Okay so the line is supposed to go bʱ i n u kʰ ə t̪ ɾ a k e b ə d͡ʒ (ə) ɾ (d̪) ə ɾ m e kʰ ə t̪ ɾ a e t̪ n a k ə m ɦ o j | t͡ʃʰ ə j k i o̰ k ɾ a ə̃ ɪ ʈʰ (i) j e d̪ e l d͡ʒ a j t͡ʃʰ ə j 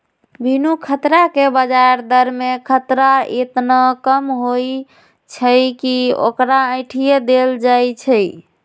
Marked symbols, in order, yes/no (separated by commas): no, yes, yes